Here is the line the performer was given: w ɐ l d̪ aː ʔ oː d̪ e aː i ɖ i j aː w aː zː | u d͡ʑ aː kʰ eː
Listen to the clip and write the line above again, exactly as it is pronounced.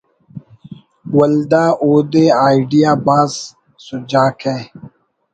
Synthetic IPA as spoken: w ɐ l d̪ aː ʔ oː d̪ e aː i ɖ i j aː b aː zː | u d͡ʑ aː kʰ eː

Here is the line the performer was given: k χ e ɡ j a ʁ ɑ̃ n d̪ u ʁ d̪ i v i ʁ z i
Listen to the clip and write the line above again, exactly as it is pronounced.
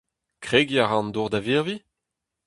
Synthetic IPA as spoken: k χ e ɡ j a ʁ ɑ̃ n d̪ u ʁ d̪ a v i ʁ v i

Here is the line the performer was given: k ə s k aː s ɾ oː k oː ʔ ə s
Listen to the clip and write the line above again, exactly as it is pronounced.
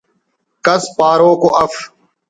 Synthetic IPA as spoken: k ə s p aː ɾ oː k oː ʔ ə f

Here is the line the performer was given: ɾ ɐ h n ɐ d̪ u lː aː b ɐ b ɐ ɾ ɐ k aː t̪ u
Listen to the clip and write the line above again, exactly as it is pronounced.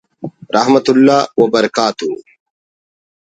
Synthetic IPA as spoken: ɾ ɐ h m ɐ t̪ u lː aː w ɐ b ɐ ɾ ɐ k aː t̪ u

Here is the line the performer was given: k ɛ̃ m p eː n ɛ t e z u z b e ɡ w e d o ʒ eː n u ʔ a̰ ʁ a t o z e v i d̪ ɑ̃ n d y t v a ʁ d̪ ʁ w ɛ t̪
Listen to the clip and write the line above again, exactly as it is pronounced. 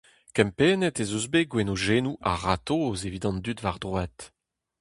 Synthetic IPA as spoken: k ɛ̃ m p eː n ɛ t e z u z b e ɡ w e n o ʒ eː n u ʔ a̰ ʁ a t o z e v i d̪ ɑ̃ n d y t v a ʁ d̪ ʁ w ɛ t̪

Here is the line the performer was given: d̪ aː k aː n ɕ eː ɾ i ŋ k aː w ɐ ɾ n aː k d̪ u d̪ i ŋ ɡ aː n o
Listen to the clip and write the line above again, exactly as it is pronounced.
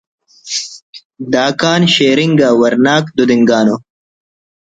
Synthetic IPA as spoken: d̪ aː k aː n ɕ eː ɾ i ŋ ɡ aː w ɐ ɾ n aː k d̪ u d̪ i ŋ ɡ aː n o

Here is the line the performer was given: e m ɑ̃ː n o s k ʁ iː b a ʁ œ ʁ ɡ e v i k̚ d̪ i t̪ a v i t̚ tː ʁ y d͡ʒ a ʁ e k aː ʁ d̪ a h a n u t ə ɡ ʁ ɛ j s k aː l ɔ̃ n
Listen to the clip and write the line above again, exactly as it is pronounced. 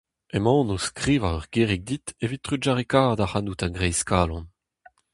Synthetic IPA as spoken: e m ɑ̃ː n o s k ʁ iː v a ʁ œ ʁ ɡ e ʁ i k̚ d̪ i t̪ e v i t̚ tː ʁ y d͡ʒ a ʁ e k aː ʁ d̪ a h a n u t a ɡ ʁ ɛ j s k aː l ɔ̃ n

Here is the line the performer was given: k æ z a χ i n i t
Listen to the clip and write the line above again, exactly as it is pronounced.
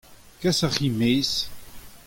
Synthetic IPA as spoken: k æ s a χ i m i s

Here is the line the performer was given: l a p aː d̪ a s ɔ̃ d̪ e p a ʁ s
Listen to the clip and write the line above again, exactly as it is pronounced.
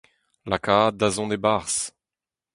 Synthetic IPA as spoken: l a k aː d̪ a z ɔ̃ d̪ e b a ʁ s

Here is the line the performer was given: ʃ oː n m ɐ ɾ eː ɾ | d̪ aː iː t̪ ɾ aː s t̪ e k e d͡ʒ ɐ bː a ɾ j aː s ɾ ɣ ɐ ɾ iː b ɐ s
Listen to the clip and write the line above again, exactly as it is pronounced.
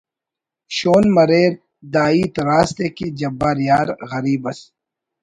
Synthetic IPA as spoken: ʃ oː n m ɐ ɾ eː ɾ | d̪ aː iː t̪ ɾ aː s t̪ e k e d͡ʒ ɐ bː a ɾ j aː ɾ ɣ ɐ ɾ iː b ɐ s

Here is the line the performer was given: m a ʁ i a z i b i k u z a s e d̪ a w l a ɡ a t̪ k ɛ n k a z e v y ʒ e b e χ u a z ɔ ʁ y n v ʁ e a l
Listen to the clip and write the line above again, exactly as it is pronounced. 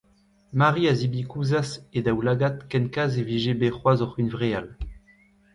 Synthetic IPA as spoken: m a ʁ i a z i b i k u z a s e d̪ a w l a ɡ a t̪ k ɛ n k a z e v i ʒ e b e χ w a z ɔ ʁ y n v ʁ e a l

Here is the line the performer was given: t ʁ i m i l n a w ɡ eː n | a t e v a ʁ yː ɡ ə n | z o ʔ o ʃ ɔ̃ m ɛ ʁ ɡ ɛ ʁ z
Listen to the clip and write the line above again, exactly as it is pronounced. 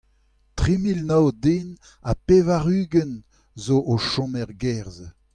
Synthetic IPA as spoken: t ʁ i m i l n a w d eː n | a p e v a ʁ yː ɡ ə n | z o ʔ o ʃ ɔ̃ m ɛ ʁ ɡ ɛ ʁ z

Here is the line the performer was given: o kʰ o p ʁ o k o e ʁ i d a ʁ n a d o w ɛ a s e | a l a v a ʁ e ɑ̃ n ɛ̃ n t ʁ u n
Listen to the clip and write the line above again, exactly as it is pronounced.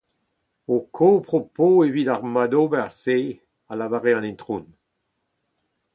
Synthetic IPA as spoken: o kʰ o p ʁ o p o e v i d a ʁ m a d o b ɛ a s e | a l a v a ʁ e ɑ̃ n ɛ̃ n t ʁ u n

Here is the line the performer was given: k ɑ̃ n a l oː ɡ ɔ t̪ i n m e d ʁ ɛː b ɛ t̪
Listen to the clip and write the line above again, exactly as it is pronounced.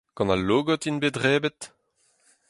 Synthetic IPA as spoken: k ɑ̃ n a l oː ɡ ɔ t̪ i n b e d ʁ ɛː b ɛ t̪

